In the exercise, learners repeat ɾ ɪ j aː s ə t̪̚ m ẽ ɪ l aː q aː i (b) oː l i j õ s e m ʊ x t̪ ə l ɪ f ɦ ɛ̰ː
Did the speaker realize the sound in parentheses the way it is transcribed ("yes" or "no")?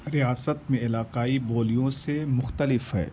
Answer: yes